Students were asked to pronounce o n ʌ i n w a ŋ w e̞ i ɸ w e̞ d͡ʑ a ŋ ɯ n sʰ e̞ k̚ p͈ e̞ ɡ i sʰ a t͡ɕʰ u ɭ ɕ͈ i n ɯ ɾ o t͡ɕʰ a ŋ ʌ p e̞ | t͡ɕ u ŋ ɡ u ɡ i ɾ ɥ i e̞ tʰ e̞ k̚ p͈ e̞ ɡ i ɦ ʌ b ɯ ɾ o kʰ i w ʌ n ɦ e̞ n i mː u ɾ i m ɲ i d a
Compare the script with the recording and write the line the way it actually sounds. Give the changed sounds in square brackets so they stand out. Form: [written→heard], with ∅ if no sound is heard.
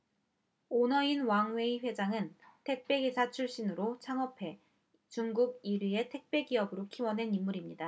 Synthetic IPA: o n ʌ i n w a ŋ w e̞ i ɸ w e̞ d͡ʑ a ŋ ɯ n [sʰ→tʰ] e̞ k̚ p͈ e̞ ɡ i sʰ a t͡ɕʰ u ɭ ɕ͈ i n ɯ ɾ o t͡ɕʰ a ŋ ʌ [p→pʰ] e̞ | t͡ɕ u ŋ ɡ u ɡ i ɾ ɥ i e̞ tʰ e̞ k̚ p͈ e̞ ɡ i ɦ ʌ b ɯ ɾ o kʰ i w ʌ n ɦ e̞ n i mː u ɾ i m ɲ i d a